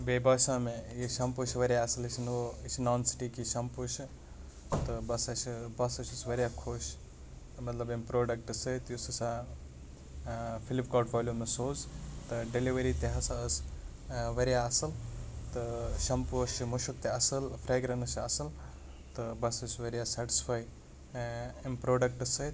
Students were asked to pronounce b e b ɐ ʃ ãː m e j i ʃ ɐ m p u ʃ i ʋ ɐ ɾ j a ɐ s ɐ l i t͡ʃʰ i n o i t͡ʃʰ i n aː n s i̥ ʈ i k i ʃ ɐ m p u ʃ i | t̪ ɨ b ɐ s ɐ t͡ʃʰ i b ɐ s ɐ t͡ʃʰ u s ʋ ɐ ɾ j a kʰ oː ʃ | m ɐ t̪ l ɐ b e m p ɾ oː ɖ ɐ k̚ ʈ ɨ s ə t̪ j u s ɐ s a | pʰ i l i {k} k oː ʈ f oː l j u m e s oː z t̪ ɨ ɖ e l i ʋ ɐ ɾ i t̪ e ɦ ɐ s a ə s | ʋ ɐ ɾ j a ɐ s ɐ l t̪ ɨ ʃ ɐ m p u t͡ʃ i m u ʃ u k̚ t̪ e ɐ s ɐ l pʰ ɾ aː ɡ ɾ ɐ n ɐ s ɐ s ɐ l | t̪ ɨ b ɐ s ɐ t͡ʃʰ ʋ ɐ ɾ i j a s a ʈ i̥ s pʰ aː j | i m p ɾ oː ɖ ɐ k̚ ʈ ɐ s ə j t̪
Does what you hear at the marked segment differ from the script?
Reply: yes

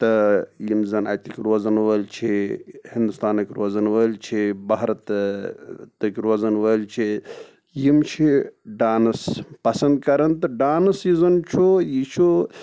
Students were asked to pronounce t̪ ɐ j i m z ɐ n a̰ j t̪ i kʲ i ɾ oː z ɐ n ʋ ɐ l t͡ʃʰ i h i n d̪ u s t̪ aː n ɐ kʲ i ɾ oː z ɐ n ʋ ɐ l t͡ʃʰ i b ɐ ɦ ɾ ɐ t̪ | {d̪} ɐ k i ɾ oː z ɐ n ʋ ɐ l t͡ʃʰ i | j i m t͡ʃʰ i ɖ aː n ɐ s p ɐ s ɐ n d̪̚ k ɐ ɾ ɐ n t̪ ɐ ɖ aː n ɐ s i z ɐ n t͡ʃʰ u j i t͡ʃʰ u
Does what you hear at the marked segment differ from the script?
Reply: yes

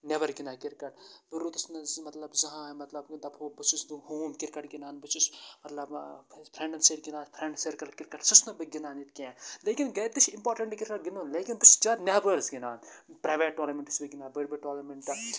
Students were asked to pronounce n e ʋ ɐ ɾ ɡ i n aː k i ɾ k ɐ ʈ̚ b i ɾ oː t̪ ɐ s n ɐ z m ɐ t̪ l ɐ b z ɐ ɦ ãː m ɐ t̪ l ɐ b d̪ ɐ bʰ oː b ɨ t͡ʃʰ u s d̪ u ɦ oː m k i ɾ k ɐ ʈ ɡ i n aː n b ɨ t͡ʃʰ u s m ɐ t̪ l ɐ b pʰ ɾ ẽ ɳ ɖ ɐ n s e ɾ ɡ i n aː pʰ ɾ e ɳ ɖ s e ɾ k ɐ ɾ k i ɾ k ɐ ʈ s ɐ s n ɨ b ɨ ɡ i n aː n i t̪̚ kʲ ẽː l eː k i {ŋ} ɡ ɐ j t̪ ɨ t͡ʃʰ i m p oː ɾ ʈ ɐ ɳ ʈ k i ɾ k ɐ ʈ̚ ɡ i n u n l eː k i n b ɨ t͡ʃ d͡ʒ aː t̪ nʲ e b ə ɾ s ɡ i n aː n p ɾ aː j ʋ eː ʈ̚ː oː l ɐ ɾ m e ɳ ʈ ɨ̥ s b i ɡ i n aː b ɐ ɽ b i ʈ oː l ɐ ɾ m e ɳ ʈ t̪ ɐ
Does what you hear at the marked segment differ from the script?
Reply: yes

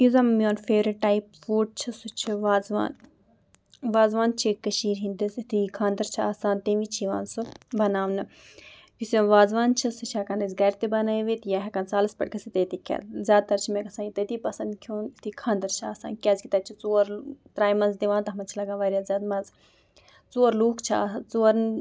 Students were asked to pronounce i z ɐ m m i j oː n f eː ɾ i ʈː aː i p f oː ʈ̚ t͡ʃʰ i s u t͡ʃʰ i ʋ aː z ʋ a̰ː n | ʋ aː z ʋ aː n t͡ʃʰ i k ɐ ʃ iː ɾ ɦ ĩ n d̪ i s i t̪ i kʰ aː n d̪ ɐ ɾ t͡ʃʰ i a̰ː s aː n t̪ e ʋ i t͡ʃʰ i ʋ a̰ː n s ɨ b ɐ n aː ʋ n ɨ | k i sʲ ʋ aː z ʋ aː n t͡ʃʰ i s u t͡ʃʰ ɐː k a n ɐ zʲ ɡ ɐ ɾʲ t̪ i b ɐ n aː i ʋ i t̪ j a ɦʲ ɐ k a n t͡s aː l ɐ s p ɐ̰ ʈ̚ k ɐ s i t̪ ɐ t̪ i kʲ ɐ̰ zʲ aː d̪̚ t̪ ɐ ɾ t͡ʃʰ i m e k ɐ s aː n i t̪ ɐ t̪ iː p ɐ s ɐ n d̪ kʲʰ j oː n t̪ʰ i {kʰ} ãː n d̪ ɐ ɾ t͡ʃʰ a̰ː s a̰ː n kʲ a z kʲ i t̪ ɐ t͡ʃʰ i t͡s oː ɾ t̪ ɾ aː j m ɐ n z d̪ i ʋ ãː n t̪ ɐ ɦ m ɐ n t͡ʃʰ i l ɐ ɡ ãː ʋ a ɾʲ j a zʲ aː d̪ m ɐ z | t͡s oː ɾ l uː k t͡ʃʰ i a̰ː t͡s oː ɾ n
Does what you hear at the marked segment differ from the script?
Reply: no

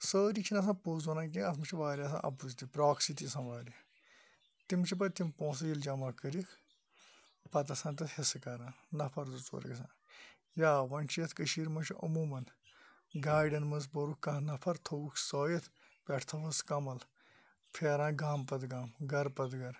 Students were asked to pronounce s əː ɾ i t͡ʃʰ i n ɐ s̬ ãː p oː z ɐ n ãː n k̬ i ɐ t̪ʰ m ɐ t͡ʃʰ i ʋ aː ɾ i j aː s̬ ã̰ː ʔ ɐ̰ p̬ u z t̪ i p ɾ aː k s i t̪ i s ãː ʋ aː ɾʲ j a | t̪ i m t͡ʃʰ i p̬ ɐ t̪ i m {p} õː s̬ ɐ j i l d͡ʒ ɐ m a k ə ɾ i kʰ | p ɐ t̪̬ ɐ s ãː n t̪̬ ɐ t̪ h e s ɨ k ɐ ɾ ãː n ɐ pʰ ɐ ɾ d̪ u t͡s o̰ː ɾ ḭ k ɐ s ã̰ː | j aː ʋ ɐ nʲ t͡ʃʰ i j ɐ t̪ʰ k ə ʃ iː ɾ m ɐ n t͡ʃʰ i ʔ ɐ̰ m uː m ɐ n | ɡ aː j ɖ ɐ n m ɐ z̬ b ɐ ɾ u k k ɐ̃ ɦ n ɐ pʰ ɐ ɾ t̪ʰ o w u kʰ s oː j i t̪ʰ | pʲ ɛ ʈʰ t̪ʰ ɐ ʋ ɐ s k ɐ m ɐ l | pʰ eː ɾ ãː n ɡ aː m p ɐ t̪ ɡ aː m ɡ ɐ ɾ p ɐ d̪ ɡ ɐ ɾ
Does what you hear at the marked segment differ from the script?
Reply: no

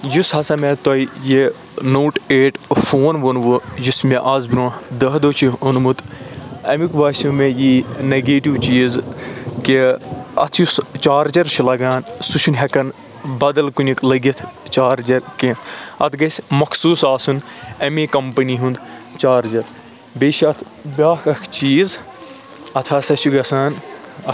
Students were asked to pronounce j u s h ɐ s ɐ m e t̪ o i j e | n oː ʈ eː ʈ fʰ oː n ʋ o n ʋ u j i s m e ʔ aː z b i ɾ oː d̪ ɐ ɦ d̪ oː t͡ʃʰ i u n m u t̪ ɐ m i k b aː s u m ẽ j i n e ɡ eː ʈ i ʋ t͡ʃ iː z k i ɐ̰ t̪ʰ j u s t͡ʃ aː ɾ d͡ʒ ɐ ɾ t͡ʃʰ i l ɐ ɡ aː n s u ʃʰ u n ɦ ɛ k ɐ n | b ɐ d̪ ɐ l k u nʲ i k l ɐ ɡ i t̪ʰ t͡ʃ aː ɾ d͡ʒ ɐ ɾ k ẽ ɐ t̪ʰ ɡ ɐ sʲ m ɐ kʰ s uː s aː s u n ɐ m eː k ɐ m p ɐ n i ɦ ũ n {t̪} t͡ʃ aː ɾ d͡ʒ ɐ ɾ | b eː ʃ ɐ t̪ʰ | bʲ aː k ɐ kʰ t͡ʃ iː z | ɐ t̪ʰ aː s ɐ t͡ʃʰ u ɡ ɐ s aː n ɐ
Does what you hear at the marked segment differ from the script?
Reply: yes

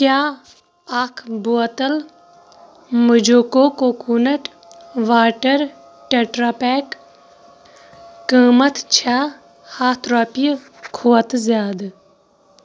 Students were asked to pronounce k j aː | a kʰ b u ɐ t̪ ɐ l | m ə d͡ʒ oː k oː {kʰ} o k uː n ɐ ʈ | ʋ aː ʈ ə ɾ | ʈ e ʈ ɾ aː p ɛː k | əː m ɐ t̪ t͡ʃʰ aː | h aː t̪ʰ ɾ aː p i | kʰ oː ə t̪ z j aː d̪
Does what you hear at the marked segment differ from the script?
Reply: yes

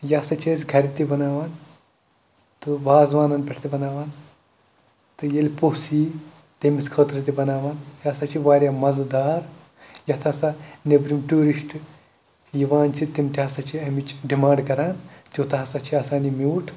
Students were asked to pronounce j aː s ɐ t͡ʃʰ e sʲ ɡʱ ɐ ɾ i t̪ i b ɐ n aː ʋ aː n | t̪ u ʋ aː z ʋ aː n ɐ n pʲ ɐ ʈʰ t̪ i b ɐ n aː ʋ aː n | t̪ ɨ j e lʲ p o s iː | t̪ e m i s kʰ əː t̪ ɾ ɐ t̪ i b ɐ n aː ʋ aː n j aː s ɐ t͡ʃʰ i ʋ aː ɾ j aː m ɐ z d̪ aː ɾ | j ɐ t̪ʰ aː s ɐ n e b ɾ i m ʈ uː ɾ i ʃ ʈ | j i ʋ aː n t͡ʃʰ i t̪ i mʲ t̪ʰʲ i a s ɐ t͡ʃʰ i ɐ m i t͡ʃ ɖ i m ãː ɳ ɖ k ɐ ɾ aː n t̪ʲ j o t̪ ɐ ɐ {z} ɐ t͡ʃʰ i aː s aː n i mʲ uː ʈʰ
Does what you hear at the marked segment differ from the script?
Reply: yes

